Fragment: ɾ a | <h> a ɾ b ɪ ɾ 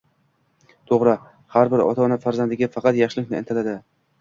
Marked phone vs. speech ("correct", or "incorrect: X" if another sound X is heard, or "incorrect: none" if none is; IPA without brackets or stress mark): correct